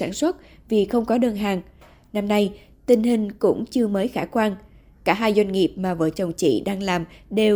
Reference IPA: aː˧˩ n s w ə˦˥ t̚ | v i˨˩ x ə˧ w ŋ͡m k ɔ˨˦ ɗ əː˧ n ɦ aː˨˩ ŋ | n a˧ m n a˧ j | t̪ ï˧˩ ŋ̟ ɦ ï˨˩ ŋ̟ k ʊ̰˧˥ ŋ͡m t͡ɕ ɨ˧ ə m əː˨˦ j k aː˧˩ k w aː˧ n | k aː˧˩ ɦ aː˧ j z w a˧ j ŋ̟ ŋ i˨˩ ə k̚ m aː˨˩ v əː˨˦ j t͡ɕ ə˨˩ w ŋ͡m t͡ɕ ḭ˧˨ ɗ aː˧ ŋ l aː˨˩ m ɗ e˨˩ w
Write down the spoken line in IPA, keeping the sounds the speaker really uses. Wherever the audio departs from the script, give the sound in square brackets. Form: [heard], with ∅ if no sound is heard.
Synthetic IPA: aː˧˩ n s w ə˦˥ t̚ | v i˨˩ x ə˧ w ŋ͡m k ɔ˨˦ ɗ əː˧ n ɦ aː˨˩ ŋ | n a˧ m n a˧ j | t̪ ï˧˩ ŋ̟ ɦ ï˨˩ ŋ̟ k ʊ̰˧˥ ŋ͡m t͡ɕ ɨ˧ ə m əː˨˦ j [x] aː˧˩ k w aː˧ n | k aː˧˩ ɦ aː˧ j z w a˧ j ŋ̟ ŋ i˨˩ ə [p̚] m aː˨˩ v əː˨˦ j t͡ɕ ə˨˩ w ŋ͡m t͡ɕ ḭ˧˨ ɗ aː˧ ŋ l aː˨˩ m ɗ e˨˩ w